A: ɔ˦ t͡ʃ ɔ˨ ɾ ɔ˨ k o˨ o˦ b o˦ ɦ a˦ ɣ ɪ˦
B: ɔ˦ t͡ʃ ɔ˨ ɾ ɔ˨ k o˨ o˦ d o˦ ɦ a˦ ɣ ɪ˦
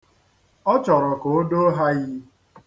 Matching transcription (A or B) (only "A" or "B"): B